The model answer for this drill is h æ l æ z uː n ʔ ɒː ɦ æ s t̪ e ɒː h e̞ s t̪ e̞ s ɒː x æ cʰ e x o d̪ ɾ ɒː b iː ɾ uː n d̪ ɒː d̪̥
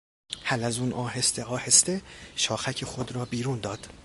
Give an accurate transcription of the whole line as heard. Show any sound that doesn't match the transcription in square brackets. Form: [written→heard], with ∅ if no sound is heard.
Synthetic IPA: h æ l æ z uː n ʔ ɒː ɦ [æ→e] s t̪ e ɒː h e̞ s t̪ e̞ [s→ʃ] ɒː x æ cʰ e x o d̪ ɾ ɒː b iː ɾ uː n d̪ ɒː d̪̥